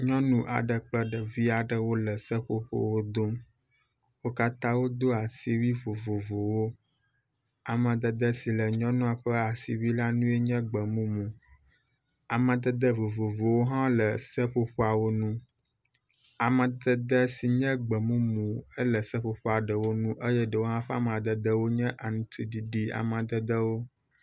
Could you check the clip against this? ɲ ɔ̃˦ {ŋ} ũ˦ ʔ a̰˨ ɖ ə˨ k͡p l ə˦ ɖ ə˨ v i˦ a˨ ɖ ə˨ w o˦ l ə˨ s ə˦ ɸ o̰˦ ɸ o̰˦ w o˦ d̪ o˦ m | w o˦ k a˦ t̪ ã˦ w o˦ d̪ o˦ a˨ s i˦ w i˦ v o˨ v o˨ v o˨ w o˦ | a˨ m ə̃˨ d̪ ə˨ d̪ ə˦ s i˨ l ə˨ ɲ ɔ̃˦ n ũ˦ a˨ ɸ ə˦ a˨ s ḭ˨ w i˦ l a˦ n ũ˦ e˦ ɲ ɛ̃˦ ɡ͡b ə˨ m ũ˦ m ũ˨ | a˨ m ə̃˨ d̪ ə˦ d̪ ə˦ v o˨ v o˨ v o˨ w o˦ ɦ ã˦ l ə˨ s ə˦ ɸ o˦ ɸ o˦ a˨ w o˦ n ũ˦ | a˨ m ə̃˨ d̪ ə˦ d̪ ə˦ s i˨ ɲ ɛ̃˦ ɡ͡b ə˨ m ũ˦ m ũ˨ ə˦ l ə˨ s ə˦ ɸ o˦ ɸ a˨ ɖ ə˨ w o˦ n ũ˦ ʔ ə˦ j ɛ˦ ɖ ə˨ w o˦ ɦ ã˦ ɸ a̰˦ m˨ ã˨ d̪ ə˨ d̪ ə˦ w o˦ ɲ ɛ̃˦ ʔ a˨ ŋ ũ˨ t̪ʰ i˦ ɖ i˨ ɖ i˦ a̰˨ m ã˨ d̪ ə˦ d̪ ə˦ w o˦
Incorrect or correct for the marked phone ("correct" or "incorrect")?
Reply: incorrect